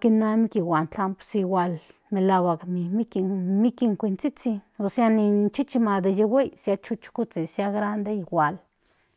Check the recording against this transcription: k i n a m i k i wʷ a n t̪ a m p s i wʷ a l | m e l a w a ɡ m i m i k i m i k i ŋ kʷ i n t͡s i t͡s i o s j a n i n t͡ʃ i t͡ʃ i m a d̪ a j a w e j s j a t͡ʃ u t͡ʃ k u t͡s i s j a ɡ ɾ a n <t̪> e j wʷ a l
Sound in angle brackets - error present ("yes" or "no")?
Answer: yes